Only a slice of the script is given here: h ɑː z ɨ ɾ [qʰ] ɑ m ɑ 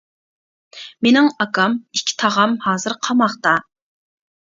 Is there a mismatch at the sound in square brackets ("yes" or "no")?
no